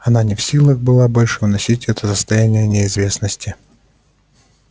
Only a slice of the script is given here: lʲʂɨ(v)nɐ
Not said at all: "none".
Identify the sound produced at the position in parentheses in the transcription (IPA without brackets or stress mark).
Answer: v